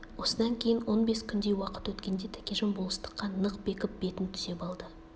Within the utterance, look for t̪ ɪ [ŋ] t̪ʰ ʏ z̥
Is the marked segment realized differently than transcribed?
yes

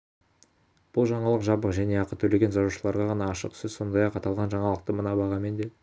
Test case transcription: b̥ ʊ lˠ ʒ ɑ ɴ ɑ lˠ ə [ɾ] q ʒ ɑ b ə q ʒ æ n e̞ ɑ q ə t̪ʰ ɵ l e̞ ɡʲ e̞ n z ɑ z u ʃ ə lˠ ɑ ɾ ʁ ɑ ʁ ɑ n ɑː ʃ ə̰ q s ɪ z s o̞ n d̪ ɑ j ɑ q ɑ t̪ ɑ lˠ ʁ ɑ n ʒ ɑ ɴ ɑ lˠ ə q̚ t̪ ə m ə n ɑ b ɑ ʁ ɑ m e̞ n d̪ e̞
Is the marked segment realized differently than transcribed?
yes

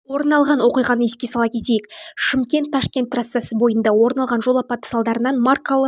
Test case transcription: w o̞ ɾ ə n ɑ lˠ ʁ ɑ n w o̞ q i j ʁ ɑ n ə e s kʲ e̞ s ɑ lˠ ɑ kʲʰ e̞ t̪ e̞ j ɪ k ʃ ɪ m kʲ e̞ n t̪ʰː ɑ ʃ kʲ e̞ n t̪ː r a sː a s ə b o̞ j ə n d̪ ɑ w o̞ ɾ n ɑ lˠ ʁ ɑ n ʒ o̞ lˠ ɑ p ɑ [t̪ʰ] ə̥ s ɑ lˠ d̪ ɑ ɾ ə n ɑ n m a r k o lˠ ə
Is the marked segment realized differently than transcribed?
yes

